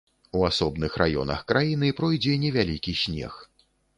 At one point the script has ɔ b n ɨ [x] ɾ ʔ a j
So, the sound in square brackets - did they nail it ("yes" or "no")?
yes